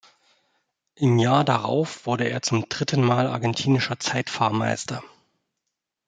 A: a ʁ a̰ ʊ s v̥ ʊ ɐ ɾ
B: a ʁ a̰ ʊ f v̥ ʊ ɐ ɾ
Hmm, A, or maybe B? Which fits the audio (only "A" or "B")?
B